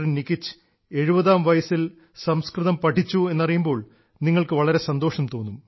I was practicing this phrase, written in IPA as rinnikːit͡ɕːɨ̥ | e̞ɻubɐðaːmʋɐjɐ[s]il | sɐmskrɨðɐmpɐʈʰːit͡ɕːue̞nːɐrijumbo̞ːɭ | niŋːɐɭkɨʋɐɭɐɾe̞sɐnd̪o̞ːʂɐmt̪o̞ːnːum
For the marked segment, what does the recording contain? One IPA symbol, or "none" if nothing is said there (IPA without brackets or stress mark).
s